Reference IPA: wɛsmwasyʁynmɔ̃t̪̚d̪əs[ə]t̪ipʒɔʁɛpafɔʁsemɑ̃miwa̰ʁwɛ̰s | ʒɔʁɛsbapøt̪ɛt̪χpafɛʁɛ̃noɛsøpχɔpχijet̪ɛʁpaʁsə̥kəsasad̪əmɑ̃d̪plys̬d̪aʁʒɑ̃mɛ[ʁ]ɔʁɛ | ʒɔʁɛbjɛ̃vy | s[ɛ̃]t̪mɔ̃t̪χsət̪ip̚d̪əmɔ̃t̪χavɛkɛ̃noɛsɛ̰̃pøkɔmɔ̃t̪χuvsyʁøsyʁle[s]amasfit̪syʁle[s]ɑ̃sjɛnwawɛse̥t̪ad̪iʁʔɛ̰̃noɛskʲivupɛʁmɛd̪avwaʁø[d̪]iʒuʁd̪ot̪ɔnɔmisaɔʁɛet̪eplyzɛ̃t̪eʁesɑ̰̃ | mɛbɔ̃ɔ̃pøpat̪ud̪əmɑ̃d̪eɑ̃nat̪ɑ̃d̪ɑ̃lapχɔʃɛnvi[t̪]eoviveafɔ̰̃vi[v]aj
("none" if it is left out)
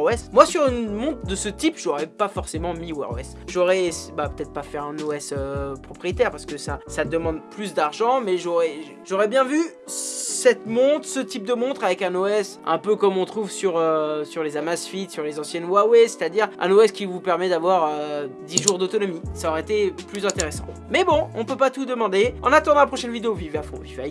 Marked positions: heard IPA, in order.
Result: ə, ʒ, ɛ, z, z, d̪, d̪, v

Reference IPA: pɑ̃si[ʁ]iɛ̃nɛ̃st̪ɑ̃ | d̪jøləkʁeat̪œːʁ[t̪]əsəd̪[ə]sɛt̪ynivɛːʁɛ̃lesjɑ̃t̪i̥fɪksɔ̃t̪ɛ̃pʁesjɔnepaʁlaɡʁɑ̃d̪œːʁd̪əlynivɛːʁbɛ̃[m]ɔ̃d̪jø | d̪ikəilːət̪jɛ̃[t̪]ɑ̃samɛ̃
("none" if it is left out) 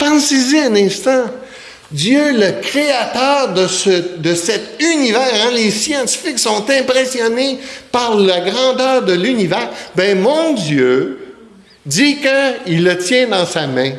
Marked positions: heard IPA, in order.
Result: z, d̪, ə, m, d̪

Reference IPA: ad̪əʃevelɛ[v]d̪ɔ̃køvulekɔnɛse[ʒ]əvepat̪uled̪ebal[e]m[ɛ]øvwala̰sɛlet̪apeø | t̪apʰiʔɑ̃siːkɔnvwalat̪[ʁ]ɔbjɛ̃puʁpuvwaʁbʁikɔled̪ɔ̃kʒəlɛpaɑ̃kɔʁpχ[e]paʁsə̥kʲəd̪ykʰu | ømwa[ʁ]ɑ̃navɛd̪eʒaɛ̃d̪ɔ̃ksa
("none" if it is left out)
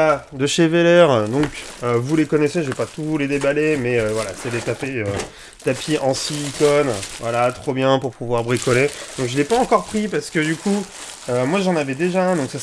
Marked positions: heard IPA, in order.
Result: ʁ, ʒ, e, ɛ, χ, i, ʒ

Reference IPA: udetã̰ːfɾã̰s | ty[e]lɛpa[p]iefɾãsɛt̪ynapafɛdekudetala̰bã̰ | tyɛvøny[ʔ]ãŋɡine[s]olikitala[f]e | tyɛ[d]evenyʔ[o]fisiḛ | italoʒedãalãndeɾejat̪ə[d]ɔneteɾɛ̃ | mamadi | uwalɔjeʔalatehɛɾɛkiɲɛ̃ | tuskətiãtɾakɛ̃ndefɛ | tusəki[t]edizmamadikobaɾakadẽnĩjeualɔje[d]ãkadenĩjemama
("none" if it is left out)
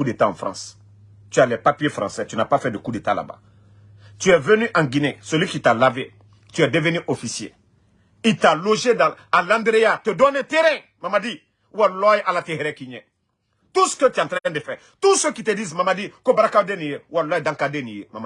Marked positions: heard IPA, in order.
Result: a, p, ʔ, s, v, d, o, d, t, d

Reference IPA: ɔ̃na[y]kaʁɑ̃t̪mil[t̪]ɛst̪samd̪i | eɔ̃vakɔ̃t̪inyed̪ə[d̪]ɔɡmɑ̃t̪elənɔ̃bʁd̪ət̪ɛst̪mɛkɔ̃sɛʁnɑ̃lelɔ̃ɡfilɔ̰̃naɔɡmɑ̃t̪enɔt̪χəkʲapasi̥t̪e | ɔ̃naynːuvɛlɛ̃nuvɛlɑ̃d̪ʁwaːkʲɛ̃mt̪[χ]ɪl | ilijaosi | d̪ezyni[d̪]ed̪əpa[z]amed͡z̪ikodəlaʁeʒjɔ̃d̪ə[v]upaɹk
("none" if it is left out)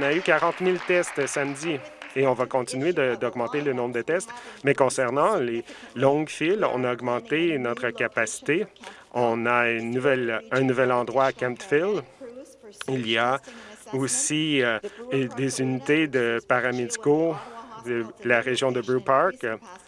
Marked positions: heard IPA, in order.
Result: y, t̪, d̪, f, t̪, ʁ, b

